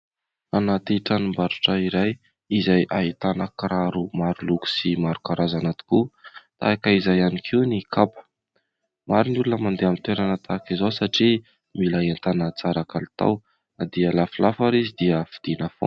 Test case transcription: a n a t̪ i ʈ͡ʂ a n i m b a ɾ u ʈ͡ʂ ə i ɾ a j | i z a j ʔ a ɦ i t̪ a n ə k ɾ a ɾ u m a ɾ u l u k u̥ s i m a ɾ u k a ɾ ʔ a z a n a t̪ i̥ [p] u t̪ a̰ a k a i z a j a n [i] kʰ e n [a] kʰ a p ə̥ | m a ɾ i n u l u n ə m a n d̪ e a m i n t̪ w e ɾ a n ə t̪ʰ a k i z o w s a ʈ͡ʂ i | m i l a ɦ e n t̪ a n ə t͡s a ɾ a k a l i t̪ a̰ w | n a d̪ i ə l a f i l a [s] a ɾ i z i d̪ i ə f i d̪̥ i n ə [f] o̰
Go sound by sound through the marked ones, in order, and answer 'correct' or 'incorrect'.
incorrect: k, correct, incorrect: i, incorrect: f, correct

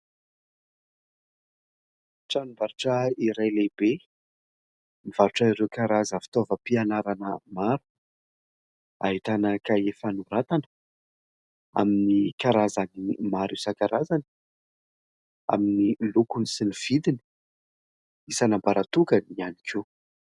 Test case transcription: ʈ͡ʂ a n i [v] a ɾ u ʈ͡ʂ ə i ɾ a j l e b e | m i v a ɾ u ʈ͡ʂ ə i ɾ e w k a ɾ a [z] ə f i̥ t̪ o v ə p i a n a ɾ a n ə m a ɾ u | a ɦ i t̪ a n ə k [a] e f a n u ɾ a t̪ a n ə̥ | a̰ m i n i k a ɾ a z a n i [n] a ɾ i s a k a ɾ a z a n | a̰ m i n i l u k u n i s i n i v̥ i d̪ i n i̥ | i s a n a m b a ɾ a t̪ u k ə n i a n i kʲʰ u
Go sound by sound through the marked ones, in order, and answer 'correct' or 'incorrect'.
correct, correct, correct, incorrect: m

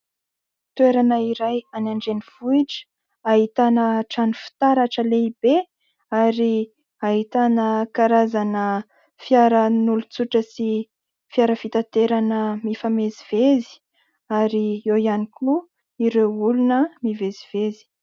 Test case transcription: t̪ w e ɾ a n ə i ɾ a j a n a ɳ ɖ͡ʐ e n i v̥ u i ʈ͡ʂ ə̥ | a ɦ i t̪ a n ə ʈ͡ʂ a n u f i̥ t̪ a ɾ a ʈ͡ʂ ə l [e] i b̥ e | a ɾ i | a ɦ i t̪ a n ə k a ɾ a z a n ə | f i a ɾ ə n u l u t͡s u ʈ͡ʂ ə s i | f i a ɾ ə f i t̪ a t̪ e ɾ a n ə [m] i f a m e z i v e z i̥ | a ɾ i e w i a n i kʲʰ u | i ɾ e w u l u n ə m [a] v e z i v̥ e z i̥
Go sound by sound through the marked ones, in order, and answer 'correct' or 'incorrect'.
correct, correct, incorrect: i

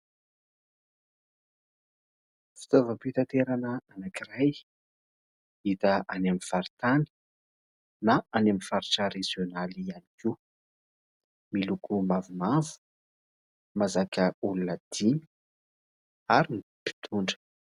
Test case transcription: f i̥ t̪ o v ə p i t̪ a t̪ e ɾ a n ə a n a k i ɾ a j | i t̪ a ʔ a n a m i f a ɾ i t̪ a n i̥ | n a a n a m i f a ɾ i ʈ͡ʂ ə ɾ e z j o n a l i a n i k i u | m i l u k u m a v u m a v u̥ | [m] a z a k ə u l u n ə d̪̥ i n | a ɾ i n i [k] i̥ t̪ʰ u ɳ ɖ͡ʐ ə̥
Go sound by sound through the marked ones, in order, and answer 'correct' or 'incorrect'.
correct, incorrect: p

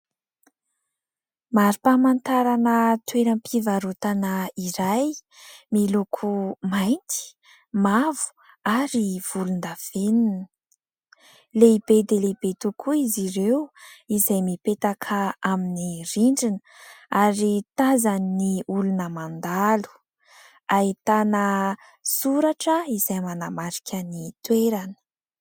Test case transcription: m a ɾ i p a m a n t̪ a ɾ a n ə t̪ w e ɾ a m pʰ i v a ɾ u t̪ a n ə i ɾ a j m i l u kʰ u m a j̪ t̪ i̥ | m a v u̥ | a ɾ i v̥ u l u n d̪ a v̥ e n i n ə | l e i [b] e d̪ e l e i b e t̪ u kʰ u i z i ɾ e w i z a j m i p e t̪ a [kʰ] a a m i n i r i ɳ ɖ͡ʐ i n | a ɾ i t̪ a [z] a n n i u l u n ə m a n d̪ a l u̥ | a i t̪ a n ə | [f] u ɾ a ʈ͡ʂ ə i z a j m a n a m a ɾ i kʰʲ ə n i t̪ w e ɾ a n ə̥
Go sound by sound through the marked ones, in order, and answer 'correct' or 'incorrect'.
correct, correct, correct, incorrect: s

